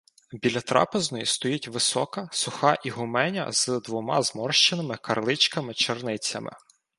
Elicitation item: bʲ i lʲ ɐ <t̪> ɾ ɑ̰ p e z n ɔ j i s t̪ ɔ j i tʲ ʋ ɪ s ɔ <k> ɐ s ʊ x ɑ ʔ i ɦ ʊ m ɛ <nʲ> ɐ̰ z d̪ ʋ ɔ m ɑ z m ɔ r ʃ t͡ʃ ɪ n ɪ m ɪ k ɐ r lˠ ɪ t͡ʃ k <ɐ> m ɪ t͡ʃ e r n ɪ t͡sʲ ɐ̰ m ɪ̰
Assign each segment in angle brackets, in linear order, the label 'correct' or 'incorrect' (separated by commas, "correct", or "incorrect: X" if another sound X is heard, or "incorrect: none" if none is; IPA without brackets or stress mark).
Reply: correct, correct, correct, correct